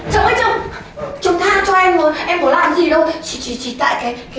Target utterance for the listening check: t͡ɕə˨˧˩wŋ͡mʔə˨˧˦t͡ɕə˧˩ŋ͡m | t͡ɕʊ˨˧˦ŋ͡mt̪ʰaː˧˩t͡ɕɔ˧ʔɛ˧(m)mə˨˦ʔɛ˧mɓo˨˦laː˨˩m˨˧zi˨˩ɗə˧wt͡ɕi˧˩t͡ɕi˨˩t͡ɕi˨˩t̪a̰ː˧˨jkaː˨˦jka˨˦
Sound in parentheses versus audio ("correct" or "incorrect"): correct